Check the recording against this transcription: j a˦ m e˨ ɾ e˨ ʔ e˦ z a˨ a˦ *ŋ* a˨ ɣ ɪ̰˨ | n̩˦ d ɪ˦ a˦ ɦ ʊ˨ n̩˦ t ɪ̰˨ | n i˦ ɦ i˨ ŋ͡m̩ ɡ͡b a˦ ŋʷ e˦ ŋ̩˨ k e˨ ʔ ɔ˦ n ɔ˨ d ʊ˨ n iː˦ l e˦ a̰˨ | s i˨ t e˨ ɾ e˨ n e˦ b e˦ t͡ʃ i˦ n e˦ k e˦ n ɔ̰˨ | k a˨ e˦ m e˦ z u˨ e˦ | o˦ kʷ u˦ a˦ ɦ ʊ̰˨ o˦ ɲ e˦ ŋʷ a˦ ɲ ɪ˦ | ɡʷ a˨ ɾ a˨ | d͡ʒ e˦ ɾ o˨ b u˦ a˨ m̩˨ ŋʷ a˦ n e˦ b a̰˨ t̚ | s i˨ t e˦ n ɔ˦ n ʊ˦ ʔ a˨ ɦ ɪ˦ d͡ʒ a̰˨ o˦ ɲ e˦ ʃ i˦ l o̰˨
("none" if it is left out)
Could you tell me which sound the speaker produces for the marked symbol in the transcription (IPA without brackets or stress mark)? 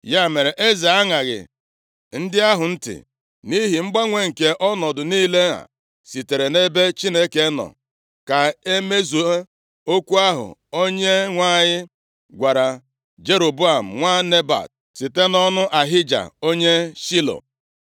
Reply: ŋ